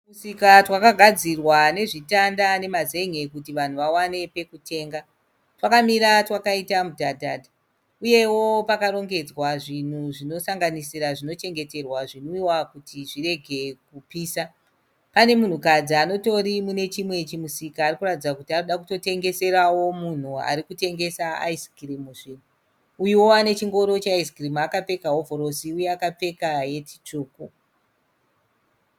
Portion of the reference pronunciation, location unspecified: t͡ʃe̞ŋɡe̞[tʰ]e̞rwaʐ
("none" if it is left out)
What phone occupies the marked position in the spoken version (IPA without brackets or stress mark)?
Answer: t